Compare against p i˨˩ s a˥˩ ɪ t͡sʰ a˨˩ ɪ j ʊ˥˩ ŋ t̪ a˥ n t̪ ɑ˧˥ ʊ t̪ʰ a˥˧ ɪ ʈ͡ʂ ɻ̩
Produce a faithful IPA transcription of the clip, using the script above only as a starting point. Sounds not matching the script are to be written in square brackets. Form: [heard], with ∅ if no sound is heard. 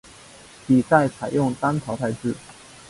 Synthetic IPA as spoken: p i˨˩ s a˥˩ ɪ t͡sʰ a˨˩ ɪ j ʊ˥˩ ŋ t̪ a˥ n [t̪ʰ] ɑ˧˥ ʊ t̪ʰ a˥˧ ɪ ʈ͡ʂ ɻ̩